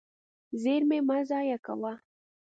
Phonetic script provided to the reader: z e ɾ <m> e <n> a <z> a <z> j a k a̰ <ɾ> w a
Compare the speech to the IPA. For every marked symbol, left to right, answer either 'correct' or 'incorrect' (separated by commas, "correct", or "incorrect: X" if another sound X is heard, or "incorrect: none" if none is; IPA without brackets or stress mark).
correct, incorrect: m, correct, incorrect: none, incorrect: none